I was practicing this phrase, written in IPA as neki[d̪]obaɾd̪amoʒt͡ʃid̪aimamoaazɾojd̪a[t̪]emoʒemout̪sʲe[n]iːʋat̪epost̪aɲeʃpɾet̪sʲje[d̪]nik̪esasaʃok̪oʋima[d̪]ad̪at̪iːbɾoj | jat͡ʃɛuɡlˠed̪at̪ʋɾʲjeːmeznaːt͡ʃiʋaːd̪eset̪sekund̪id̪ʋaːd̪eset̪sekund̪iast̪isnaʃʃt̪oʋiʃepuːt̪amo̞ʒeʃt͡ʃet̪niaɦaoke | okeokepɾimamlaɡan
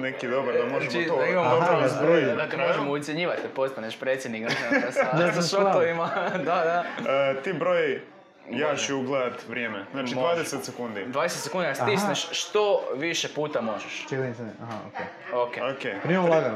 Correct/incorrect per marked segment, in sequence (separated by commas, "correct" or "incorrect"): correct, correct, incorrect, correct, correct